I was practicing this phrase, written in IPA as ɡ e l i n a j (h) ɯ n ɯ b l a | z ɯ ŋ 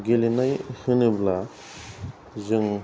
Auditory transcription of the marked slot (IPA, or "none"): h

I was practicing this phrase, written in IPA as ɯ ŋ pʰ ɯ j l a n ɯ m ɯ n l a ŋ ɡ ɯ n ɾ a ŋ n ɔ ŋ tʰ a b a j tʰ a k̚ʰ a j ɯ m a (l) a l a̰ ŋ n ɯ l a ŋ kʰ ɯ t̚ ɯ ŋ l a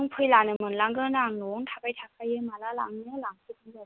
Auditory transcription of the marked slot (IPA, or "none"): l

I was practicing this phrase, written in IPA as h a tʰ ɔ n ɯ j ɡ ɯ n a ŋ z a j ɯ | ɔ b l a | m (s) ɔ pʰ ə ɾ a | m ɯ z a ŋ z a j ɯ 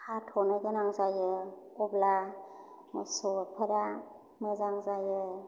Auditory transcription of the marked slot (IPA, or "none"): s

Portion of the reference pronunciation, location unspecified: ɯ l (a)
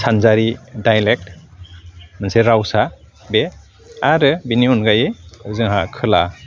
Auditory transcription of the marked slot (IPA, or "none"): a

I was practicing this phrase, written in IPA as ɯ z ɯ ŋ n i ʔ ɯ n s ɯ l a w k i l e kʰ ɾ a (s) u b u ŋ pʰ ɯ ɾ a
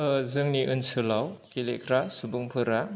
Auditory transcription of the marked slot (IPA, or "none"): s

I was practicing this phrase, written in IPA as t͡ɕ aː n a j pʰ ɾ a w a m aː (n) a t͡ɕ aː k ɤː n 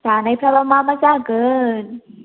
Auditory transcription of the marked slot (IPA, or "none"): m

